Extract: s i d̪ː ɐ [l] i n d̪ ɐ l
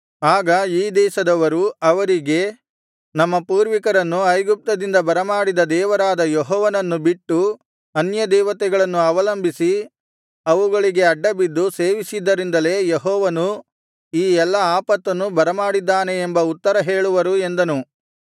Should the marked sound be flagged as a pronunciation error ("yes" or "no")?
yes